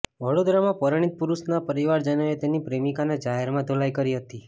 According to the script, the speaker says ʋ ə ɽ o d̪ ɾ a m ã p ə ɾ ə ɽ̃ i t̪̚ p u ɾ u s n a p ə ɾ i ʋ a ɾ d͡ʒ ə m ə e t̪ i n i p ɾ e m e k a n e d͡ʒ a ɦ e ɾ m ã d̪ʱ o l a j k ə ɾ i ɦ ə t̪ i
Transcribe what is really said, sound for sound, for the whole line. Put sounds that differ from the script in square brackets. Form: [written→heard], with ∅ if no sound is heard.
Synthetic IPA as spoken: ʋ ə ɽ o d̪ ɾ a m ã p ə ɾ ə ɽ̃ i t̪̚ p u ɾ u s n a p ə ɾ i ʋ a ɾ d͡ʒ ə [m→n] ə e t̪ [i→e] n i p ɾ e m [e→i] k a n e d͡ʒ a ɦ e ɾ m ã d̪ʱ o l a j k ə ɾ i ɦ ə t̪ i